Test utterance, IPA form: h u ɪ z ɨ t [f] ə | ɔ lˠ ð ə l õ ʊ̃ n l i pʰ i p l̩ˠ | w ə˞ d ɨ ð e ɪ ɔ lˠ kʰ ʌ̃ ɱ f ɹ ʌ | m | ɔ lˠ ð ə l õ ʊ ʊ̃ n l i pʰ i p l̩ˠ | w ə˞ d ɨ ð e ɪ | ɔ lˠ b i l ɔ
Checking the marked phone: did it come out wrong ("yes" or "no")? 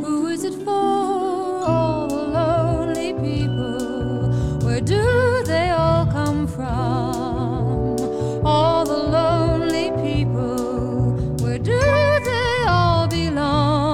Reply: no